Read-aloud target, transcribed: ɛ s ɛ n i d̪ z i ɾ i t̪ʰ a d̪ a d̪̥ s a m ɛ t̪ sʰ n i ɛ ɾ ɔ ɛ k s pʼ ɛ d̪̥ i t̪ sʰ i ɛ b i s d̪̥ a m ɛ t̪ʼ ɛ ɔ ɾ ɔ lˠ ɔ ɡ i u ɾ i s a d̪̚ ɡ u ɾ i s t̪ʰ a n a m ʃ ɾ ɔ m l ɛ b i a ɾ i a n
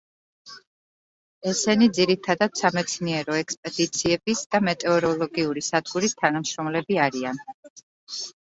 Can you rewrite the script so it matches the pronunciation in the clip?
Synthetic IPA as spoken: ɛ s ɛ n i d̪ z i ɾ i t̪ʰ a d̪ a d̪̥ s a m ɛ t̪ sʰ n i ɛ ɾ ɔ ɛ k s pʼ ɛ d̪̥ i t̪ sʰ i ɛ b i s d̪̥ a m ɛ t̪ʼ ɛ ɔ ɾ ɔ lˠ ɔ ɡ i u ɾ i s a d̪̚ ɡ u ɾ i s t̪ʰ a n a m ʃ ɾ ɔ m l ɛ b i a ɾ i a n

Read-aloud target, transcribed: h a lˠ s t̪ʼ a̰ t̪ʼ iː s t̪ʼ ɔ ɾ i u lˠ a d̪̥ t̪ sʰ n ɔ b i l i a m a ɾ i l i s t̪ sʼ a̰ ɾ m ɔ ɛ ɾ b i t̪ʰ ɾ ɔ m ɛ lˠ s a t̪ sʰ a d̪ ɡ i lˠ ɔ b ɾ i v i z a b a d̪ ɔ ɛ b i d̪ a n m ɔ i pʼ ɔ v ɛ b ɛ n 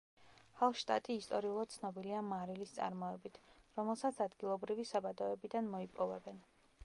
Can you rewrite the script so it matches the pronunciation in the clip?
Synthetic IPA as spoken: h a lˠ ʃ t̪ʼ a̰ t̪ʼ iː s t̪ʼ ɔ ɾ i u lˠ a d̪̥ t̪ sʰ n ɔ b i l i a m a ɾ i l i s t̪ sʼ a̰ ɾ m ɔ ɛ b i t̪ʰ ɾ ɔ m ɛ lˠ s a t̪ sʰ a d̪ ɡ i lˠ ɔ b ɾ i v i s a b a d̪ ɔ ɛ b i d̪ a n m ɔ i pʼ ɔ v ɛ b ɛ n

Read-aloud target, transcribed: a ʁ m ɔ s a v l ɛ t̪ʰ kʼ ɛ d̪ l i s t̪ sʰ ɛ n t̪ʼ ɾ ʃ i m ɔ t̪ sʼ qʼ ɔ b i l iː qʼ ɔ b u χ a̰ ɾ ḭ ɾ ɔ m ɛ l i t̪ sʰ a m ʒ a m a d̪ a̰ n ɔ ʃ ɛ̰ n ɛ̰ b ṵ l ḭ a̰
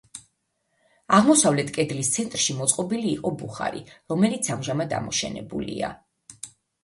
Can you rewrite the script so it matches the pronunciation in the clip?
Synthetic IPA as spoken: a ʁ m ɔ s a v l ɛ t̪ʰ kʼ ɛ d̪ l i s t̪ sʰ ɛ n t̪ʼ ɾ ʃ i m ɔ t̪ sʼ qʼ ɔ b i l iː qʼ ɔ b u χ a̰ ɾ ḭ ɾ ɔ m ɛ l i t̪ sʰ a m ʒ a m a d̪ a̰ m ɔ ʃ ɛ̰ n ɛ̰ b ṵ l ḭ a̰

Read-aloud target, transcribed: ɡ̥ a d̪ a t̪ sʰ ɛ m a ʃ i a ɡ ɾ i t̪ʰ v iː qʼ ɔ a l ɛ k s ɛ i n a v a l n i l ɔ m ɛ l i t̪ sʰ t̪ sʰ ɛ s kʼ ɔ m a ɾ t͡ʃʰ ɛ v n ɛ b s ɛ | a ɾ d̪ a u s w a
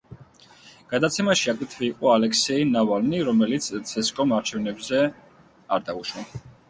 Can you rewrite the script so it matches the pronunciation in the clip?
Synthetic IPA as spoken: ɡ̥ a d̪ a t̪ sʰ ɛ m a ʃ i a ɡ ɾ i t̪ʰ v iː qʼ ɔ a l ɛ k s ɛ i n a v a l n i ɾ ɔ m ɛ l i t̪ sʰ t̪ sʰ ɛ s kʼ ɔ m a ɾ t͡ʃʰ ɛ v n ɛ b z ɛ | a ɾ d̪ a u ʃ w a

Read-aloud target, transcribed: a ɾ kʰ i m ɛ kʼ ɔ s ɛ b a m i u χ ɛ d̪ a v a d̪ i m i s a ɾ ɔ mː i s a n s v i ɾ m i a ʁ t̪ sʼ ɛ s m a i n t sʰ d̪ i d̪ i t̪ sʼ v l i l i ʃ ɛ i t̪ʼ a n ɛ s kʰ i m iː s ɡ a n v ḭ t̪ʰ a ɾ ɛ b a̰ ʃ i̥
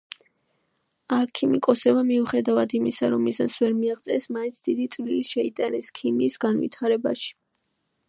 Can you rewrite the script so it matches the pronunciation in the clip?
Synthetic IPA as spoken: a ɾ kʰ i m i kʼ ɔ s ɛ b a m i u χ ɛ d̪ a v a d̪ i m i s a ɾ ɔ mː i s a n s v ɛ ɾ m i a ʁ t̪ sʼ ɛ s m a i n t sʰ d̪ i d̪ i t̪ sʼ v l i l i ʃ ɛ i t̪ʼ a n ɛ s kʰ i m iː s ɡ a n v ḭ t̪ʰ a ɾ ɛ b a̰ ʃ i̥

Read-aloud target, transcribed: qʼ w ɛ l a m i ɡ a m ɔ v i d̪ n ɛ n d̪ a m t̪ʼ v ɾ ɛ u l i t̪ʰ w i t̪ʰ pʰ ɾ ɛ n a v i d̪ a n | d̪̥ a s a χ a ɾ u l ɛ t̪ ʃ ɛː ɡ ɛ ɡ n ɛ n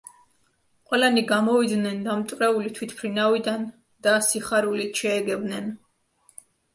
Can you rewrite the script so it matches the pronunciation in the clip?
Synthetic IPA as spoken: qʼ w ɛ l a n i ɡ a m ɔ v i d̪ n ɛ n d̪ a m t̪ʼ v ɾ ɛ u l i t̪ʰ w i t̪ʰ pʰ ɾ i n a v i d̪ a n | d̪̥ a s i χ a ɾ u l i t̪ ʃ ɛː ɡ ɛ b n ɛ n

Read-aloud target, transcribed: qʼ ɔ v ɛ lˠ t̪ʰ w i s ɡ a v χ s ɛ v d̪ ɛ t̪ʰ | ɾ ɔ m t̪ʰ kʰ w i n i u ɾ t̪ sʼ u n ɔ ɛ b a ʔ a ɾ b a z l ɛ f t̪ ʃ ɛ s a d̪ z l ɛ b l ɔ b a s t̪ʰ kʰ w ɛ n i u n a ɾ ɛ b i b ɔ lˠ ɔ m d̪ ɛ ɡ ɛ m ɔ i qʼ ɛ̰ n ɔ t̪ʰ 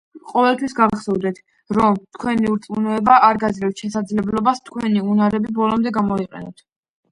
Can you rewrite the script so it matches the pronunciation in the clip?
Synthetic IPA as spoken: qʼ ɔ v ɛ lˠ t̪ʰ w i s ɡ a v χ s ɛ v d̪ ɛ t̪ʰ | ɾ ɔ m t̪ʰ kʰ w ɛ n i u ɾ t̪ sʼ u n ɔ ɛ b a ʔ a ɾ ɡ a z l ɛ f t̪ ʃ ɛ s a d̪ z l ɛ b l ɔ b a s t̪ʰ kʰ w ɛ n i u n a ɾ ɛ b i b ɔ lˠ ɔ m d̪ ɛ ɡ a m ɔ i qʼ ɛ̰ n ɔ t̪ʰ

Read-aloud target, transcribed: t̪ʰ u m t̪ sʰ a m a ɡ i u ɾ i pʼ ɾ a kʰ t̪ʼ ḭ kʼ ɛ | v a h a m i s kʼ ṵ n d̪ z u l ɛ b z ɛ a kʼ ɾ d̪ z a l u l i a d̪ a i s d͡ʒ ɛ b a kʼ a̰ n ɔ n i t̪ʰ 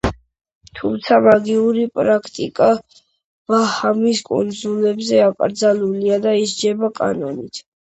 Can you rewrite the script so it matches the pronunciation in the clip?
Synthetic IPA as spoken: t̪ʰ u m t̪ sʰ a m a ɡ i u ɾ i pʼ ɾ a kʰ t̪ʼ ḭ kʼ a | v a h a m i s kʼ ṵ n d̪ z u l ɛ b z ɛ a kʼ ɾ d̪ z a l u l i a d̪ a i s d͡ʒ ɛ b a kʼ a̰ n ɔ n i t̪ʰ

